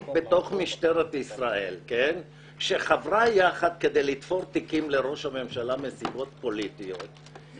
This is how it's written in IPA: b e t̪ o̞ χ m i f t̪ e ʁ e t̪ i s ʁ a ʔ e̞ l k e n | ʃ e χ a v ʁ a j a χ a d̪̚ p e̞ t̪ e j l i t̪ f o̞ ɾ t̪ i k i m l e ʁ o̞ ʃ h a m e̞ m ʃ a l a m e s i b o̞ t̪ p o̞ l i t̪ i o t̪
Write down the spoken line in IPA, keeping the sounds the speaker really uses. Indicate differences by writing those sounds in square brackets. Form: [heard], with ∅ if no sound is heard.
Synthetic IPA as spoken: b e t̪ o̞ χ m i [ʃ] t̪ e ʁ e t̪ i s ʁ a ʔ e̞ l k e n | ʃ e χ a v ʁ a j a χ a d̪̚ [k] e̞ [d̪] e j l i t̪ f o̞ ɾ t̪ i k i m l e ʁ o̞ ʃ h a m e̞ m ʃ a l a m e s i b o̞ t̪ p o̞ l i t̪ i o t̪

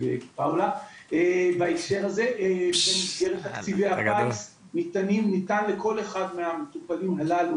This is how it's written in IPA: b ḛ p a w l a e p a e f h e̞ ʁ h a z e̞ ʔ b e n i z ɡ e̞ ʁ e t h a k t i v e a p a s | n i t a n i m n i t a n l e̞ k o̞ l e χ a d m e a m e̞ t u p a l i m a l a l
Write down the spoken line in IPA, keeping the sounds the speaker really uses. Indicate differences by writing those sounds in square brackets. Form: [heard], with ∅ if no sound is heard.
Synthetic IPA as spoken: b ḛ p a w l a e [b] a e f [ʃ] e̞ ʁ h a z e̞ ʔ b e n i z ɡ e̞ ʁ e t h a k [t͡s] i v e a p a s | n i t a n i m n i t a n l e̞ k o̞ l e χ a d m e a m e̞ t u p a l i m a l a l

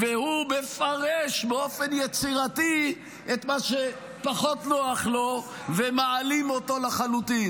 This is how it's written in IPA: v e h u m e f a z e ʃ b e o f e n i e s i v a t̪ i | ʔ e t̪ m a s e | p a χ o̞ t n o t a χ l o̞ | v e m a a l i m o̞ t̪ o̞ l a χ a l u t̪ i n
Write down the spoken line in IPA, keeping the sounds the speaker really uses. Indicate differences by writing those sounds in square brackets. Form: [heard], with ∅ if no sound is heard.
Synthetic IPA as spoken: v e h u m e f a [ʁ] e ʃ b e o f e n [j] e [t͡s] i [ʁ] a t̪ i | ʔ e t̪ m a [ʃ] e | p a χ o̞ t n o [∅] a χ l o̞ | v e m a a l i m o̞ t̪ o̞ l a χ a l u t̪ i n

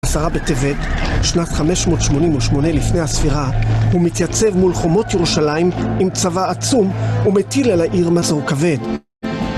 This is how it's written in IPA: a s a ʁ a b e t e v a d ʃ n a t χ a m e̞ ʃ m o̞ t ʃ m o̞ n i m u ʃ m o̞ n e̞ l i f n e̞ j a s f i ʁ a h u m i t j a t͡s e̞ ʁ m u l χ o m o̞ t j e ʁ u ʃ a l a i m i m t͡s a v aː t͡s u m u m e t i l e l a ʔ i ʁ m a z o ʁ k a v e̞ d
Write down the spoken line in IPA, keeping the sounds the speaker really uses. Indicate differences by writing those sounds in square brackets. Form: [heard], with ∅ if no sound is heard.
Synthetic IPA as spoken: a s a ʁ a b e t e v [e] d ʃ n a t χ a m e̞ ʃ m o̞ t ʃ m o̞ n i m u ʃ m o̞ n e̞ l i f n e̞ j a s f i ʁ a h u m i t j a t͡s e̞ [v] m u l χ o m o̞ t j e ʁ u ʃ a l a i m i m t͡s a v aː t͡s u m u m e t i l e l a ʔ i ʁ m a z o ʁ k a v e̞ d

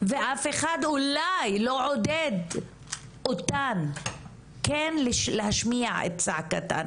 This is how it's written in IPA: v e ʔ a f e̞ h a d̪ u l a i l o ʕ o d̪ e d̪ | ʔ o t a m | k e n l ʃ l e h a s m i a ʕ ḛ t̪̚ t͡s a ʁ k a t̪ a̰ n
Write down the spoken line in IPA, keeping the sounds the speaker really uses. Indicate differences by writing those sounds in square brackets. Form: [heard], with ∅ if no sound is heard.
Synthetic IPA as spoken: v e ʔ a f e̞ [χ] a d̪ u l a [j] l o ʕ o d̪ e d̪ | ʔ o t a [n] | k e n l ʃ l e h a [ʃ] m i a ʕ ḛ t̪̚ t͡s a [ʕ] k a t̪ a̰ n

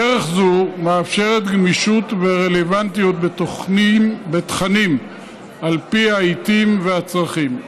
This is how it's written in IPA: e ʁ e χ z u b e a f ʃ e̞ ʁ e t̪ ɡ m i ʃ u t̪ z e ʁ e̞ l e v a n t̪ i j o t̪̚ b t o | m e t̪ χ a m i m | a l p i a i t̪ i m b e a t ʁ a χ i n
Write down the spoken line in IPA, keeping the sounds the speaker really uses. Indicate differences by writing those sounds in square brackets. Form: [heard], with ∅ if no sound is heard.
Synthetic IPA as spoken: e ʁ e χ z u [m] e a f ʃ e̞ ʁ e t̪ ɡ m i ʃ u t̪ [v] e ʁ e̞ l e v a n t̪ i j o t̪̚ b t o | [b] e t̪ χ a [n] i m | a l p i a i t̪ i m [v] e a [t͡s] ʁ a χ i [m]

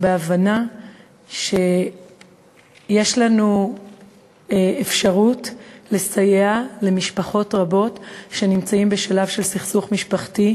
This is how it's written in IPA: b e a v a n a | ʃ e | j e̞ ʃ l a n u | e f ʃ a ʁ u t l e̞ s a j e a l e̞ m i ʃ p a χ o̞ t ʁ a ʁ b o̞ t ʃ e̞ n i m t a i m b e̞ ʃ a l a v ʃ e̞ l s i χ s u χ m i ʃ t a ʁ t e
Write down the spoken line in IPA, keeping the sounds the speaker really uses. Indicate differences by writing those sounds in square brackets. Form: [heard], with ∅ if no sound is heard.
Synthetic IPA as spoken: b e a v a n a | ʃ e | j e̞ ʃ l a n u | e f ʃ a ʁ u t l e̞ s a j e a l e̞ m i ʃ p a χ o̞ t ʁ a [∅] b o̞ t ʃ e̞ n i m [t͡s] a i m b e̞ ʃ a l a v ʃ e̞ l s i χ s u χ m i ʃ [p] a [χ] t [i]

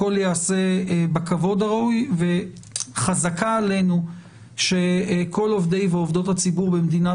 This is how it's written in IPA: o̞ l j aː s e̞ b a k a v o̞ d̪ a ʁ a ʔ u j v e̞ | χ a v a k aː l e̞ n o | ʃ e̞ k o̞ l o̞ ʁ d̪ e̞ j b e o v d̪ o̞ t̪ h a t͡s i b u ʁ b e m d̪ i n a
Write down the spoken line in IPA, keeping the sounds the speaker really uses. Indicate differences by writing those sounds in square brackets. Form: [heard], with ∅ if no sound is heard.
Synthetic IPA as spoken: o̞ l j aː s e̞ b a k a v o̞ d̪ a ʁ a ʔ u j v e̞ | χ a [z] a k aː l e̞ n [u] | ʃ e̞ k o̞ l o̞ [v] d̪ e̞ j [v] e o v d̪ o̞ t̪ h a t͡s i b u ʁ b e m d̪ i n a

